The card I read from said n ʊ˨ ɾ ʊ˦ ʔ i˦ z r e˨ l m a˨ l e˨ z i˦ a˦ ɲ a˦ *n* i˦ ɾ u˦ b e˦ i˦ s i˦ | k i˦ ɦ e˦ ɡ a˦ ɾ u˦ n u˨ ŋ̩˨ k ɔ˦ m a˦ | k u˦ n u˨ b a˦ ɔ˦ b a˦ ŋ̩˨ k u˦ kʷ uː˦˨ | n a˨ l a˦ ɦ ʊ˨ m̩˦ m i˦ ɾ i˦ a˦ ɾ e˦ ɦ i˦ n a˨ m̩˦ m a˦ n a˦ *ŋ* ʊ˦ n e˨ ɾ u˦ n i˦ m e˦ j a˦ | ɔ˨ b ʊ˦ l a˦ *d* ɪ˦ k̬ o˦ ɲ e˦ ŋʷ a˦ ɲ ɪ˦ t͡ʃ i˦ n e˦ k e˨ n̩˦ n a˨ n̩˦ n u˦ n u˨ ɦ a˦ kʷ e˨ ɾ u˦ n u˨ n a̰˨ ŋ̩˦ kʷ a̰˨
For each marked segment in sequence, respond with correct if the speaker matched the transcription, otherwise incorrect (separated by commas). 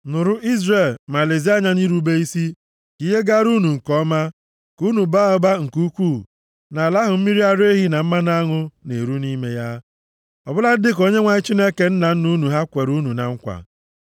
correct, correct, correct